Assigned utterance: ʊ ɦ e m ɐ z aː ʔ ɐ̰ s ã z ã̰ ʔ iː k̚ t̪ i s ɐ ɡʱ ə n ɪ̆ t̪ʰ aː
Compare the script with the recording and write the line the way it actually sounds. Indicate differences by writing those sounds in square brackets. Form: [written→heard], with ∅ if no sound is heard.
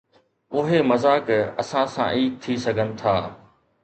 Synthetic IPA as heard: ʊ ɦ e m ɐ z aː [ʔ→k] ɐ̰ s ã [z→s] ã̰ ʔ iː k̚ [t̪→t̪ʰ] i s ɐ ɡʱ ə n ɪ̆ t̪ʰ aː